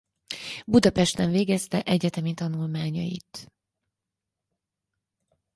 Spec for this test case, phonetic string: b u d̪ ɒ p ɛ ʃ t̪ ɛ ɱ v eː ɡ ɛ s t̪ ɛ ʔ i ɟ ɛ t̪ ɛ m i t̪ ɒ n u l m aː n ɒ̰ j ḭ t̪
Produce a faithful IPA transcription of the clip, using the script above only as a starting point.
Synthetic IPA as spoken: b u d̪ ɒ p ɛ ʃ t̪ ɛ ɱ v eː ɡ ɛ s t̪ ɛ ʔ ɛ ɟ ɛ t̪ ɛ m i t̪ ɒ n u l m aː ɲ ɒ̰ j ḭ t̪